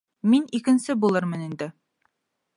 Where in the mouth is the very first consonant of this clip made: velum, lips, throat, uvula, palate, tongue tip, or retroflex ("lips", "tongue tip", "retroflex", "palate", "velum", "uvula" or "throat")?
lips